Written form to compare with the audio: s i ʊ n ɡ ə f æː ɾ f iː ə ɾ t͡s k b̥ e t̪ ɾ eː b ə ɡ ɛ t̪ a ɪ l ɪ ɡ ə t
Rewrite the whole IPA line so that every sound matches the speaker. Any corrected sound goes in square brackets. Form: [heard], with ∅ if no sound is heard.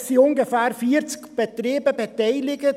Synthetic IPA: s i ʊ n ɡ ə f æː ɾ f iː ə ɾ t͡s k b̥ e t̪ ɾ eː b ə [b] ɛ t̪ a ɪ l ɪ ɡ ə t